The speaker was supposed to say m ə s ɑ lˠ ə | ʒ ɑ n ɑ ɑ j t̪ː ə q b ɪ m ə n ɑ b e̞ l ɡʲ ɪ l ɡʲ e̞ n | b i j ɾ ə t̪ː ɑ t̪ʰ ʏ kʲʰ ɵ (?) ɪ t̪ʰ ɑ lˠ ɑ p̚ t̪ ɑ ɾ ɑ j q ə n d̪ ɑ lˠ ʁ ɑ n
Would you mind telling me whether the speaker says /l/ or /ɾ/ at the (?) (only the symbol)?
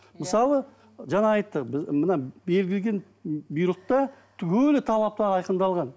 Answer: l